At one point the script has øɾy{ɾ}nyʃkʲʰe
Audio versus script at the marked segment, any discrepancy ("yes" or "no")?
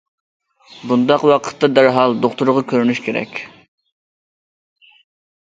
yes